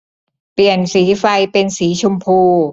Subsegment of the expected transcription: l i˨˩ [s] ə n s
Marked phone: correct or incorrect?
incorrect